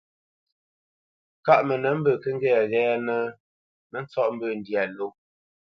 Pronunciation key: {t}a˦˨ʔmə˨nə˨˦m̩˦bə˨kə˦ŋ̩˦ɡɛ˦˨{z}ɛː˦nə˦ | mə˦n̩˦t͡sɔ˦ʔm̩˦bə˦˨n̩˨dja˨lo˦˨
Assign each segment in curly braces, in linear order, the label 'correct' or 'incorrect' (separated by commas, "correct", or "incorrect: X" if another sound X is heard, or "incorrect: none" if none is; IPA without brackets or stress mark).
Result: incorrect: k, incorrect: ɣ